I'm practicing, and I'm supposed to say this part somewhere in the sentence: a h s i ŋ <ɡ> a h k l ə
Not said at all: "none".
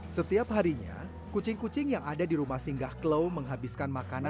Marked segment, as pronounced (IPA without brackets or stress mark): ɡ